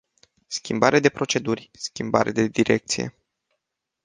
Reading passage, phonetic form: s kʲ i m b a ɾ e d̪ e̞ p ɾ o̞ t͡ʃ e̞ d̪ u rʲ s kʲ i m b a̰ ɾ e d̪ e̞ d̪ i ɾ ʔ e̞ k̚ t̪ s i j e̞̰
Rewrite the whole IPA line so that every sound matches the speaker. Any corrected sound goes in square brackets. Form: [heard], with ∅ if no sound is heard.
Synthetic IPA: s kʲ i m b a ɾ e d̪ e̞ p ɾ o̞ t͡ʃ e̞ d̪ u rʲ s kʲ i m b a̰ ɾ e d̪ e̞ d̪ i ɾ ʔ e̞ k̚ t̪ s i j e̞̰